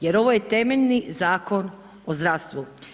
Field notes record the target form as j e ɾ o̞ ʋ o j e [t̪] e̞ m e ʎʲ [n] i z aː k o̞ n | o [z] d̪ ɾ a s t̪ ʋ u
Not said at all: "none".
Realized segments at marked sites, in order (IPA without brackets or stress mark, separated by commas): t̪, n, z